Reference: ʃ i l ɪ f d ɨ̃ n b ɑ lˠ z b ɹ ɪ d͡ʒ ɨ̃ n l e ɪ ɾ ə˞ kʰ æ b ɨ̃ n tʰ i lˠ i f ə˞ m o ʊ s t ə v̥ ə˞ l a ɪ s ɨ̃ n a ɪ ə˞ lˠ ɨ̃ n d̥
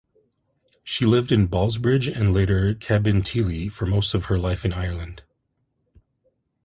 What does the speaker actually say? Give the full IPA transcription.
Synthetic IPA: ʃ i l ɪ v d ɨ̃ n b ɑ lˠ z b ɹ ɪ d͡ʒ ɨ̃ n l e ɪ ɾ ə˞ kʰ æ b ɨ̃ n tʰ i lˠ i f ə˞ m o ʊ s t ʌ v̥ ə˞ l a ɪ f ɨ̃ n a ɪ ə˞ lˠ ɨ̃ n d̥